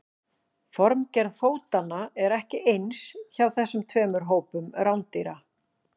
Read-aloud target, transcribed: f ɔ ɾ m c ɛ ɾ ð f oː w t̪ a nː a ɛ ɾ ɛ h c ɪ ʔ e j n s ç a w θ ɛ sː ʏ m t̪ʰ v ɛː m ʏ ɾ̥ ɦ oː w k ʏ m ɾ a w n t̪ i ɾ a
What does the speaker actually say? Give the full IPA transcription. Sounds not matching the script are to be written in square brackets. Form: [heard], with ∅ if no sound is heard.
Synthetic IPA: f ɔ ɾ m c ɛ ɾ ð f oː w t̪ a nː a ɛ ɾ ɛ h c ɪ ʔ e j n s ç a w θ ɛ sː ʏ m t̪ʰ v ɛː m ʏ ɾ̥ ɦ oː w [p] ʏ m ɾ a w n t̪ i ɾ a